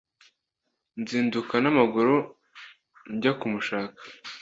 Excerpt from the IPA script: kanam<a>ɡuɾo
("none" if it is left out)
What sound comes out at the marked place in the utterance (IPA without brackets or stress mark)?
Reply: a